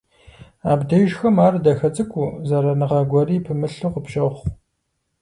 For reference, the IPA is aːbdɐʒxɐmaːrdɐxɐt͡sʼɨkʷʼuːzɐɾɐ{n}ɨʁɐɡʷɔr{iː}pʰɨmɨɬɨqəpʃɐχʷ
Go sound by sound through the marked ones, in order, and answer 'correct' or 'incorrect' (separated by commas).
correct, correct